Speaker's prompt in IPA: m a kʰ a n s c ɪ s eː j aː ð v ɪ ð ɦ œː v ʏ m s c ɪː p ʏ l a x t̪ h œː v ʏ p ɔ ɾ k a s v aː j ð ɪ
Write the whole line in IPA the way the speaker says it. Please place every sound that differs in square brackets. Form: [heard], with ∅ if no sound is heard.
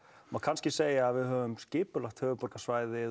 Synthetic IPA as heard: m a kʰ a n s c ɪ s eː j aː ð v ɪ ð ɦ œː v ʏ m s c ɪː p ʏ l a x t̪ h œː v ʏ p ɔ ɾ k a s v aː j ð ɪ